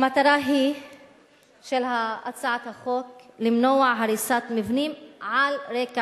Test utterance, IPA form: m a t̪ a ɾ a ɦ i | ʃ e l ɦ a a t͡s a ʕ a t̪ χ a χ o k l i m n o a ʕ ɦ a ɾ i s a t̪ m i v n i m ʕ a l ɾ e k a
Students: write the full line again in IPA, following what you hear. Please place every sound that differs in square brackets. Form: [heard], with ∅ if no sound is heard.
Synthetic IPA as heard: m a t̪ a ɾ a ɦ i | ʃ e l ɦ a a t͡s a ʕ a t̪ [h] a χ o k l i m n o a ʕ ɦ a ɾ i s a t̪ m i v n i m ʕ a l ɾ e k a